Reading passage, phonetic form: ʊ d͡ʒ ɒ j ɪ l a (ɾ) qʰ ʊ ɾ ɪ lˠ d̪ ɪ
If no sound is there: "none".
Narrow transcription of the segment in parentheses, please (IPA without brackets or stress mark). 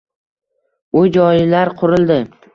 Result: ɾ